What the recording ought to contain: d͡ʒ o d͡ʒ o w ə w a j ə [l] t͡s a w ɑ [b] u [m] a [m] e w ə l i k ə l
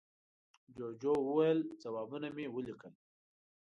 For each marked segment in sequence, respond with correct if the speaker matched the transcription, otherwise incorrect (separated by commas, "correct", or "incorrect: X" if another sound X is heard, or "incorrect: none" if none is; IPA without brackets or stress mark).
correct, correct, incorrect: n, correct